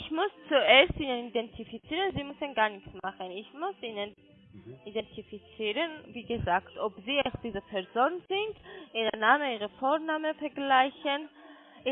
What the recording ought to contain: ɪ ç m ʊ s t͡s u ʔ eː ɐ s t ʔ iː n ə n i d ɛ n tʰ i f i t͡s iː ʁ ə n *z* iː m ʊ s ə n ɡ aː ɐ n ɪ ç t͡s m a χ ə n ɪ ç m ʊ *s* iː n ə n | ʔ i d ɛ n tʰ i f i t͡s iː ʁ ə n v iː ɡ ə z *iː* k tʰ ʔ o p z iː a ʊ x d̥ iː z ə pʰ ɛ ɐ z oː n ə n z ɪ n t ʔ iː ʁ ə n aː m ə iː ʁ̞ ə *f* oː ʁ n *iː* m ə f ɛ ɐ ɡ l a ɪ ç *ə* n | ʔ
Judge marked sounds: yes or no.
yes, yes, no, yes, no, yes

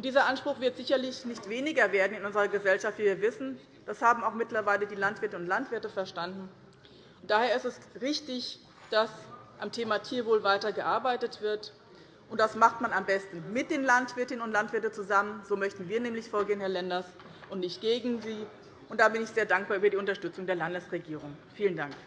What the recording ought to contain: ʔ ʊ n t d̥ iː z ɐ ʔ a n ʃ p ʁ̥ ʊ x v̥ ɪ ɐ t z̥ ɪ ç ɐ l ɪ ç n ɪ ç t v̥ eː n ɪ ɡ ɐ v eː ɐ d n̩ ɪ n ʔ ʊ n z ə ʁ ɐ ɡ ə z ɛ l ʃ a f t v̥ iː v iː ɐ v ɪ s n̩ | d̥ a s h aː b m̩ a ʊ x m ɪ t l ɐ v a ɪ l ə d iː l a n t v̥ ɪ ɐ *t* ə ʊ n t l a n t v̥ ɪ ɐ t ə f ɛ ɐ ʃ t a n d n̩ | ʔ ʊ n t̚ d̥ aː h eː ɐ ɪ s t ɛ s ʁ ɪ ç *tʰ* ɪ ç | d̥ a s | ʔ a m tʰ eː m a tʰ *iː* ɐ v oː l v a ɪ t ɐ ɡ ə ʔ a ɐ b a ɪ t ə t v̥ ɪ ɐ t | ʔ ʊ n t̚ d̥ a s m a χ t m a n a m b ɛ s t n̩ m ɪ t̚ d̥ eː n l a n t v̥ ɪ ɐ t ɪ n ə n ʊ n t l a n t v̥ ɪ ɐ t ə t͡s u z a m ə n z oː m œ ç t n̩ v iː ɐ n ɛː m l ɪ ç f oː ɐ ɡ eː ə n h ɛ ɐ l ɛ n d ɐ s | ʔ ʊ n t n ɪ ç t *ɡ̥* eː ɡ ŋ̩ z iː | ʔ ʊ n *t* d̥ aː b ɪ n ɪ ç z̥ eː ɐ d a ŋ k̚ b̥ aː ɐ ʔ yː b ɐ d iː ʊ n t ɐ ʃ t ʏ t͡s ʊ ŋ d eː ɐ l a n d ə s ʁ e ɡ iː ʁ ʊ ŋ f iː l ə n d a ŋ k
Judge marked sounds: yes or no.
yes, no, yes, yes, yes

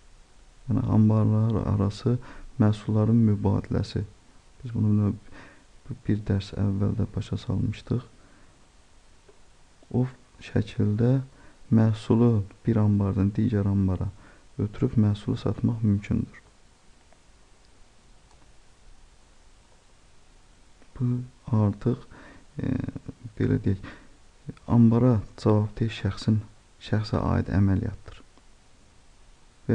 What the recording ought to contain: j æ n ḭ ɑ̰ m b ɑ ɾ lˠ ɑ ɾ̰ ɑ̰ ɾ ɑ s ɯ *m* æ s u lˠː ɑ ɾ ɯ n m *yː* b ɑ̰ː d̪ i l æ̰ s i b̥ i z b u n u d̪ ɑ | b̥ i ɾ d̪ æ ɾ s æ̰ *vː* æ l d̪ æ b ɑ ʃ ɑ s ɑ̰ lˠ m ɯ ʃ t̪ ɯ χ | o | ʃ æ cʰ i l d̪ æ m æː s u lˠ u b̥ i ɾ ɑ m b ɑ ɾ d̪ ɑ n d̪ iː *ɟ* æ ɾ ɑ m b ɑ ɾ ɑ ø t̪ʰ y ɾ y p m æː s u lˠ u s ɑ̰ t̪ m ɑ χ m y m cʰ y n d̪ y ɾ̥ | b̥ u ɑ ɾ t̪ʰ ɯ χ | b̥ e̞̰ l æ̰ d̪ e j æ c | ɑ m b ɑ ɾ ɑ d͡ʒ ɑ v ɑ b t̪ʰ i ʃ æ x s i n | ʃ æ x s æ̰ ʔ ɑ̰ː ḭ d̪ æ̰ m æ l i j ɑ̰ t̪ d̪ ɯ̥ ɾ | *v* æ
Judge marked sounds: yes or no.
yes, no, yes, yes, yes

